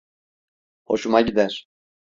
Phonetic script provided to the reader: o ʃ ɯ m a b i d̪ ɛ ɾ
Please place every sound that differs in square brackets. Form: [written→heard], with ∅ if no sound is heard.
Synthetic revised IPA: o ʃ [ɯ→u] m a [b→ɟ] i d̪ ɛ ɾ